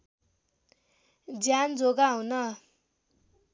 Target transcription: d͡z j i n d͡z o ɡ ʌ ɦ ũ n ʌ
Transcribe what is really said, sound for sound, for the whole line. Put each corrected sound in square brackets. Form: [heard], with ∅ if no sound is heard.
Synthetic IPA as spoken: d͡z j [a] n d͡z o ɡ [a] ɦ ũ n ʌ